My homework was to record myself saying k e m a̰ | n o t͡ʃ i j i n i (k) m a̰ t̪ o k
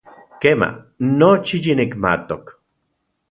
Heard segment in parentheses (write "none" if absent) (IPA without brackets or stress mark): k